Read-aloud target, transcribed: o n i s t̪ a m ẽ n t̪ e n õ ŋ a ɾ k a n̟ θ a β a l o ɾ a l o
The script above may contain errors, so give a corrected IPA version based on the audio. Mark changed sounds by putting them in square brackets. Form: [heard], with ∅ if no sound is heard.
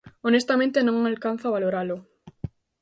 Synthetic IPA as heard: o n [e] s t̪ a m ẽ n t̪ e n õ ŋ a [l] k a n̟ θ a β a l o ɾ a l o